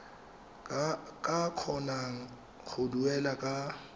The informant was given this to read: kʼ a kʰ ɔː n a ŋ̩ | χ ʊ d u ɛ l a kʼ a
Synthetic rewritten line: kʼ a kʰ ɔ n a ŋ̩ | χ ʊ d u ɛ l a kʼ a